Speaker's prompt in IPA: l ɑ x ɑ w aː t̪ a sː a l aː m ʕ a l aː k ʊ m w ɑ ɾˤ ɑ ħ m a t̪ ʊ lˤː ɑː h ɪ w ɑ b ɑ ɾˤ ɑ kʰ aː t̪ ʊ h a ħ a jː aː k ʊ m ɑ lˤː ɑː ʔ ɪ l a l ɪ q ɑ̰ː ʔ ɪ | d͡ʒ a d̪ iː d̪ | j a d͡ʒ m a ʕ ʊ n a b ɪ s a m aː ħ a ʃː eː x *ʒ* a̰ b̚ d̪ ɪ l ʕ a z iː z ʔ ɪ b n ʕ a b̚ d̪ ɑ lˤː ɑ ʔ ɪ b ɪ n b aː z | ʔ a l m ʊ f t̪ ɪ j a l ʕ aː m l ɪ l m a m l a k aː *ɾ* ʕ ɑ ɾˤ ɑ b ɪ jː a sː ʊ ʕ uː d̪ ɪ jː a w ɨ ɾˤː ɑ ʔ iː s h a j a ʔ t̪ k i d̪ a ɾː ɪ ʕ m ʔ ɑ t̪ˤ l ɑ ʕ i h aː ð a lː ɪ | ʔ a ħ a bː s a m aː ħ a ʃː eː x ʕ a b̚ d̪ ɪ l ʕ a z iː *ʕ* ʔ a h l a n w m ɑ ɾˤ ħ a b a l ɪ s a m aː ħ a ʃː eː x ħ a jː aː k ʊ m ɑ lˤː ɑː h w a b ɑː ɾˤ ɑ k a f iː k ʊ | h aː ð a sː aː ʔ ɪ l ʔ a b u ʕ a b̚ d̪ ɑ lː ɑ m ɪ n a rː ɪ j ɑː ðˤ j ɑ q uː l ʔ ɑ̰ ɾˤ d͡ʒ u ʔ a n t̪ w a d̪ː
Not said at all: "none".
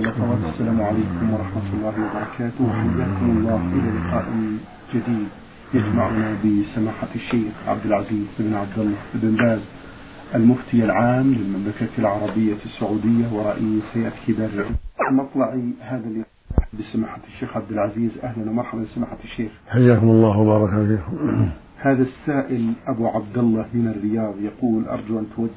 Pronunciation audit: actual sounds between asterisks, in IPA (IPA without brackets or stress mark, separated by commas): ʕ, l, z